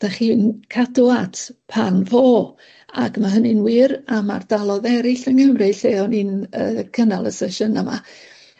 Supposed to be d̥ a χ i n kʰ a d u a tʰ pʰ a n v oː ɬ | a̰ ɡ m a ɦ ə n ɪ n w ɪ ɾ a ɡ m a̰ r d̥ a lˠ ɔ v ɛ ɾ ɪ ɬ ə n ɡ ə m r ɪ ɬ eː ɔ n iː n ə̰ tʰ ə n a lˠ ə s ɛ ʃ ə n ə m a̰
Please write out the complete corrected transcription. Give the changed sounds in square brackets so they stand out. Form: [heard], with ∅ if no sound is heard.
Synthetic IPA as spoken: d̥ a χ i n kʰ a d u a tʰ pʰ a n v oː [∅] | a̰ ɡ m a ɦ ə n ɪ n w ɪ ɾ a [∅] m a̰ r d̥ a lˠ ɔ [ð] ɛ ɾ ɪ ɬ ə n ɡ ə m r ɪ ɬ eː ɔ n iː n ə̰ [kʰ] ə n a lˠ ə s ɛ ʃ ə n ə m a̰